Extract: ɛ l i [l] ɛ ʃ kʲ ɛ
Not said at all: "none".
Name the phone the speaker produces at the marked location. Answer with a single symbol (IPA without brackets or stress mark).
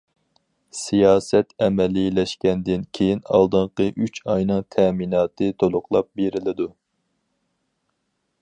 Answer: l